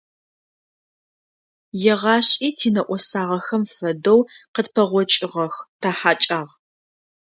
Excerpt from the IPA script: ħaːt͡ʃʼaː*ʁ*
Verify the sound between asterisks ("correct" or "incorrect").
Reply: correct